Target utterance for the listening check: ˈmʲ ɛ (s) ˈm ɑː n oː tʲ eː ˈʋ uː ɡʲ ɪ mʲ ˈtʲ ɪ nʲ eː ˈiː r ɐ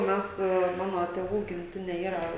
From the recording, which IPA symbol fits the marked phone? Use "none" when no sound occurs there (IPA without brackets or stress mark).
s